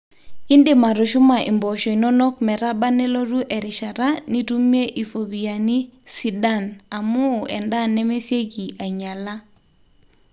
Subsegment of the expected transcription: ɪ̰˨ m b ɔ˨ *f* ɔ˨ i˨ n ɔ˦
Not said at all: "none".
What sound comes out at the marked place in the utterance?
ʃ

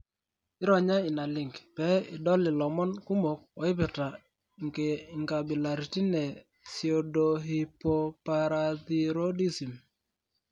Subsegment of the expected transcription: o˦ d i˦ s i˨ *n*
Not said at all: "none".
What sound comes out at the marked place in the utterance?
m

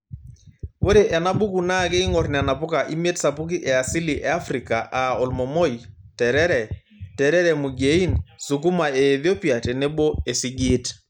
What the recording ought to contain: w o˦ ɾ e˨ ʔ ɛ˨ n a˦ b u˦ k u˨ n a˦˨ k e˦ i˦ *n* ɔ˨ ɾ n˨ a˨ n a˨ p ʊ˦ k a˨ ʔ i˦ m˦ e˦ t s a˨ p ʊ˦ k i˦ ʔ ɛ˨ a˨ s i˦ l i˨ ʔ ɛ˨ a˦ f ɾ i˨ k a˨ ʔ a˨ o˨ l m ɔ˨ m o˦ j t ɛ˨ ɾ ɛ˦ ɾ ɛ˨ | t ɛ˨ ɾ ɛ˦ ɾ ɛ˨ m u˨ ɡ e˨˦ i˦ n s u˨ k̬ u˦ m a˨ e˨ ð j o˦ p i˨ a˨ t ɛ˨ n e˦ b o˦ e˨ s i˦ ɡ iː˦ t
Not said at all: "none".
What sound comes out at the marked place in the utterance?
ŋ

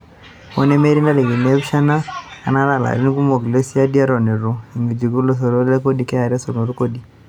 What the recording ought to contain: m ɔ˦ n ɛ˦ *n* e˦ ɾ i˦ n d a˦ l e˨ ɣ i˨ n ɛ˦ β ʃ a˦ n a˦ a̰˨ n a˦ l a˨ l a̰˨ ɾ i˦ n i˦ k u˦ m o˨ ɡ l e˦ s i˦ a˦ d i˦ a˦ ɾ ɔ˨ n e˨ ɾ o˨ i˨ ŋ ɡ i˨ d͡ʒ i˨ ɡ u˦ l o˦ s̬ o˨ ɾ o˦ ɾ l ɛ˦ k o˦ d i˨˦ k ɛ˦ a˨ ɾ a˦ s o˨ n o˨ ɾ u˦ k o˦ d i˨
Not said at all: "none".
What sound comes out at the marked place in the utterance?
m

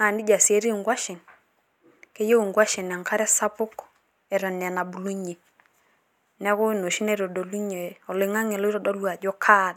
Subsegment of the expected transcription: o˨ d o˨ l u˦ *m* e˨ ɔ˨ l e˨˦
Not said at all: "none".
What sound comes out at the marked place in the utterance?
ɲ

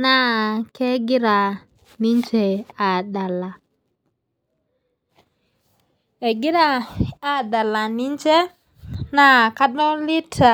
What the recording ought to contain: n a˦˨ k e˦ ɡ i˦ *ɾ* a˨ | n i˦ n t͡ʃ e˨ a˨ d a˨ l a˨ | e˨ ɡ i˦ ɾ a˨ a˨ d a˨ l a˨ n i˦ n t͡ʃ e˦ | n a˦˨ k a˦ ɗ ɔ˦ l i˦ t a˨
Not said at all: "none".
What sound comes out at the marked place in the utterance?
ɾ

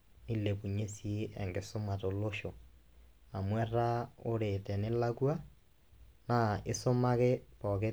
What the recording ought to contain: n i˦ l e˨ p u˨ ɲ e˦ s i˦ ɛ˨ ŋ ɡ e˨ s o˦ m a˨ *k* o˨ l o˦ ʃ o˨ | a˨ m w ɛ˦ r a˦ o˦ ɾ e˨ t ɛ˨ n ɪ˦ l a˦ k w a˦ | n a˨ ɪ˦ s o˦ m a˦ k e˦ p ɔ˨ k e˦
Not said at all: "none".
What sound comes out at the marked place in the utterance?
t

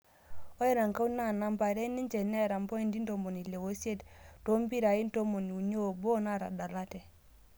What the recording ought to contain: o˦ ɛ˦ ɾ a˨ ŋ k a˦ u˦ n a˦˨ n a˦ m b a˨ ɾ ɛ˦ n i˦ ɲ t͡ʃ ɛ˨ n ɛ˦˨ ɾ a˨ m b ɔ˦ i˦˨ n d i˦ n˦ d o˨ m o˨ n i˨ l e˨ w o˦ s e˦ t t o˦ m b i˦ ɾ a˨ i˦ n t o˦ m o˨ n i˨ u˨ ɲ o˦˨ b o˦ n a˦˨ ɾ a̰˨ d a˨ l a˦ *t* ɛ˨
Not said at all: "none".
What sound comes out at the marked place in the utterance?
t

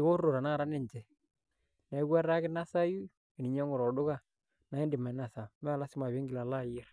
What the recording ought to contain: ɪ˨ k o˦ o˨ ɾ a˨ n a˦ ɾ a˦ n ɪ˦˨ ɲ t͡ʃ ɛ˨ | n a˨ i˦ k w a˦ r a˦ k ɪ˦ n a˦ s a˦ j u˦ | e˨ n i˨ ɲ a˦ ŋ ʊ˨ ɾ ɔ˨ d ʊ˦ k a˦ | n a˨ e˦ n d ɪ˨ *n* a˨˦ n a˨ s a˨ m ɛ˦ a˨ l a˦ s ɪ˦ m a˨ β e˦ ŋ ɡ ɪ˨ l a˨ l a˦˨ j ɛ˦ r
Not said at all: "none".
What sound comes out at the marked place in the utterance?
m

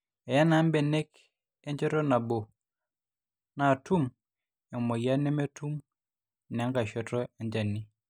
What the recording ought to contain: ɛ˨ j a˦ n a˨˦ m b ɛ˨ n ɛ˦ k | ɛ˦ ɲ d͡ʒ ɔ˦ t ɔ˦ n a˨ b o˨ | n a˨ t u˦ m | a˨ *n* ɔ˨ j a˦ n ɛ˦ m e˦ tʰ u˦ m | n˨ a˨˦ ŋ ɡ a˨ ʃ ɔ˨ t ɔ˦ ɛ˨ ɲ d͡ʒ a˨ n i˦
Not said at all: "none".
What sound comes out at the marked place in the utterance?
m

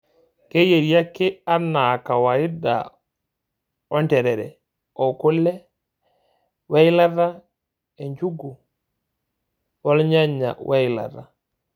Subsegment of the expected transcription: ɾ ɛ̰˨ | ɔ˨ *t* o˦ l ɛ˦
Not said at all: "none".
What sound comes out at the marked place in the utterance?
k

